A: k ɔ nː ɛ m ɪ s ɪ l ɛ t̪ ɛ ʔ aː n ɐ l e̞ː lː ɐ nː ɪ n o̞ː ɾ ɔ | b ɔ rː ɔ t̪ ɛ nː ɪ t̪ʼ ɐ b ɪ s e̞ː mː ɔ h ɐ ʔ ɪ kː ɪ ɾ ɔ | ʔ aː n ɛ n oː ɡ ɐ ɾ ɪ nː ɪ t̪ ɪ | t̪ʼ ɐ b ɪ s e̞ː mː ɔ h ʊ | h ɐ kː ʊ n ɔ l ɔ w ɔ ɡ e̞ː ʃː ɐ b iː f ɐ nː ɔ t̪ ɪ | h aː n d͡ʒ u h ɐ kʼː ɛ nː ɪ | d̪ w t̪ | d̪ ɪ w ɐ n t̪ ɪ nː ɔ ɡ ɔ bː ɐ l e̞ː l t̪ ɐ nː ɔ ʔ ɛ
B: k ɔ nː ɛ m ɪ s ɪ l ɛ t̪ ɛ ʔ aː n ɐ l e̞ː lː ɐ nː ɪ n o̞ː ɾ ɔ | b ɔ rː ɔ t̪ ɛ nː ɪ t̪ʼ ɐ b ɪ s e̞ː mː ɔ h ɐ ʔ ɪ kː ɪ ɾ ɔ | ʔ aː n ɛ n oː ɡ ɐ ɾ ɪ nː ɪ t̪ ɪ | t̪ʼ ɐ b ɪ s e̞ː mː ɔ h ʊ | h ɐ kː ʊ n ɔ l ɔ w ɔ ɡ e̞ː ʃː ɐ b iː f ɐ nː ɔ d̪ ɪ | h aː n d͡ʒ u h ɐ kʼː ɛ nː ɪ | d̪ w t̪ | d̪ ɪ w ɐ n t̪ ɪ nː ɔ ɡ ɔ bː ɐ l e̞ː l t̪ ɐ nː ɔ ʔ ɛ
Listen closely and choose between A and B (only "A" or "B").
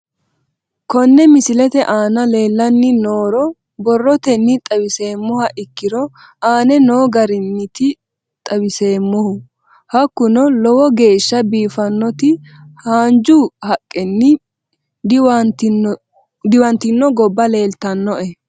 A